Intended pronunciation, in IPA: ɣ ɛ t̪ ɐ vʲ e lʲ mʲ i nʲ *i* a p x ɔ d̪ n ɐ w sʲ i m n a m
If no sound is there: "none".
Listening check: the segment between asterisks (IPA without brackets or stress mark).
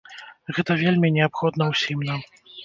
ɛ